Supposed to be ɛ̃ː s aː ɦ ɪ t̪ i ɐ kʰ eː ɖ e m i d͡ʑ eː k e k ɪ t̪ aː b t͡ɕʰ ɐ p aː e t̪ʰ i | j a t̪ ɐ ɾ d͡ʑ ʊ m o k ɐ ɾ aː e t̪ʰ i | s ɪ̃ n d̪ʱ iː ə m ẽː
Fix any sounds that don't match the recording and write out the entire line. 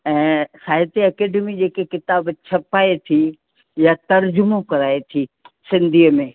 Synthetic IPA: ɛ̃ː s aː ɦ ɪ t̪ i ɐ k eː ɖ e m i d͡ʑ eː k e k ɪ t̪ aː b t͡ɕʰ ɐ p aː e t̪ʰ i | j a t̪ ɐ ɾ d͡ʑ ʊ m o k ɐ ɾ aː e t̪ʰ i | s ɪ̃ n d̪ʱ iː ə m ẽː